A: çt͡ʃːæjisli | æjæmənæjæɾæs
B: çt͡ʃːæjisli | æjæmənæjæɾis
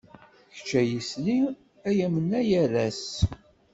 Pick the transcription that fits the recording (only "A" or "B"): A